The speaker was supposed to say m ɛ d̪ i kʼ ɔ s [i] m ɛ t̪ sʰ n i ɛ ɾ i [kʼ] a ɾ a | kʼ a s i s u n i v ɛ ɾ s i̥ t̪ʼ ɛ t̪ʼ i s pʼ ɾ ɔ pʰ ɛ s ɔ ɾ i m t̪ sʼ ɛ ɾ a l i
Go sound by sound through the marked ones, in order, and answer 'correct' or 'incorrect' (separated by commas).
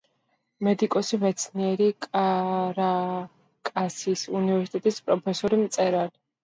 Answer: correct, correct